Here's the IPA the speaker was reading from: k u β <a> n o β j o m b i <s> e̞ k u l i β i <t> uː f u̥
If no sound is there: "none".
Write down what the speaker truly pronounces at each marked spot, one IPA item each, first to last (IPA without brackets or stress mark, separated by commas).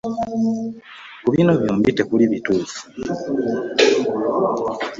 i, t, t